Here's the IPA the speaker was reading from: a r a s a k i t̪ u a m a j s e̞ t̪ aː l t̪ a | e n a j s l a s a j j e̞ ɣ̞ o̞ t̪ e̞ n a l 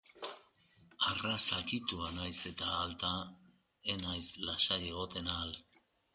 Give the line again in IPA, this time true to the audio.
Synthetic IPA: a r a s a k i t̪ u a n a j s e̞ t̪ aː l t̪ a | e n a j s l a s a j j e̞ ɣ̞ o̞ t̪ e̞ n a l